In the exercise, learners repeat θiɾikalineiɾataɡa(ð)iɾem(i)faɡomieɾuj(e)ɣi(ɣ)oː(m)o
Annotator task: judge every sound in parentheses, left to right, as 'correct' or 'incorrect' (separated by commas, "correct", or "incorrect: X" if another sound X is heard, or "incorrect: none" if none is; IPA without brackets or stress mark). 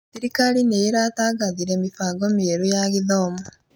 correct, correct, incorrect: a, incorrect: ð, correct